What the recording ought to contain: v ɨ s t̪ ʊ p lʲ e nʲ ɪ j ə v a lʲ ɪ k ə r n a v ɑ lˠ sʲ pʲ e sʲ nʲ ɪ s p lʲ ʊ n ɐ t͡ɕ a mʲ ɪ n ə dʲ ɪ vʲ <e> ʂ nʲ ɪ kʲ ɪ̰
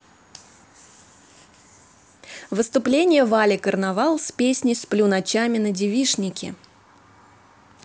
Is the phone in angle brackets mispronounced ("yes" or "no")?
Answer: yes